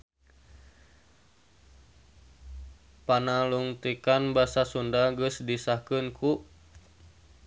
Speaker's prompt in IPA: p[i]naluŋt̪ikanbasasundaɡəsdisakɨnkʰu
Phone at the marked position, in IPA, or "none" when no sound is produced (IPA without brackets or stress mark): a